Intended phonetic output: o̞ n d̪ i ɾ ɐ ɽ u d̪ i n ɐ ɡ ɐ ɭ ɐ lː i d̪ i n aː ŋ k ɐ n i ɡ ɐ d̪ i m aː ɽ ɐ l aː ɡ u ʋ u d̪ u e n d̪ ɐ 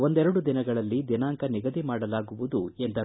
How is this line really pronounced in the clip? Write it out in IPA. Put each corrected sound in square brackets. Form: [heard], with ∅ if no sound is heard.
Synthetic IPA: o̞ n d̪ [ɛ] ɾ ɐ ɽ u d̪ i n ɐ ɡ ɐ ɭ ɐ lː i d̪ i n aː ŋ k ɐ n i ɡ ɐ d̪ i m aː ɽ ɐ l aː ɡ u ʋ u d̪ u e n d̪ ɐ